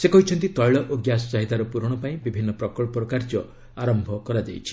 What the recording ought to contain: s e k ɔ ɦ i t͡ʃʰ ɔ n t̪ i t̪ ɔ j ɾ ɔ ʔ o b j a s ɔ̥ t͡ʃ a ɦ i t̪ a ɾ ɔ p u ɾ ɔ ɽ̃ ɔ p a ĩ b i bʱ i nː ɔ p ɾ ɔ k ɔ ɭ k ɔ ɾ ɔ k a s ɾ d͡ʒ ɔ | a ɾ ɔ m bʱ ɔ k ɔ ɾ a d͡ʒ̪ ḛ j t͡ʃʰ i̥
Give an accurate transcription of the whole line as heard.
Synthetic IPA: s e k ɔ ɦ i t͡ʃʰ ɔ n t̪ i t̪ ɔ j ɭ ɔ ʔ o ɡ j a s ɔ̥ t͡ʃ a ɦ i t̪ a ɾ ɔ p u ɾ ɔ ɽ̃ ɔ p a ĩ b i bʱ i nː ɔ p ɾ ɔ k ɔ ɭ p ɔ ɾ ɔ k a ɾ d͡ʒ ɔ | a ɾ ɔ m bʱ ɔ k ɔ ɾ a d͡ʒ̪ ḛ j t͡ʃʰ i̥